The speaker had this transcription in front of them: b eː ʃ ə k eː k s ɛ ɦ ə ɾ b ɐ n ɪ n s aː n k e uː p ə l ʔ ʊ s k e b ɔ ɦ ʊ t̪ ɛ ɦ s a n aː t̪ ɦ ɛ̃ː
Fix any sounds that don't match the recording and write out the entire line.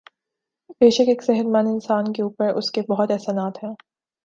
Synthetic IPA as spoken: b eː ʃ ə k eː k s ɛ ɦ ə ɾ m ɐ n ɪ n s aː n k e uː p ə ɾ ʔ ʊ s k e b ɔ ɦ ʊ t̪ ɛ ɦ s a n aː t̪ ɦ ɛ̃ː